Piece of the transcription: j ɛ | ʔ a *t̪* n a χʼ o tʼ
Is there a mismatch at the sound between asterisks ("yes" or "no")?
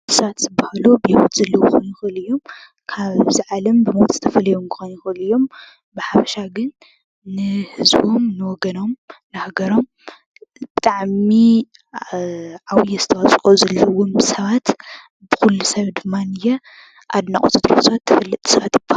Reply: yes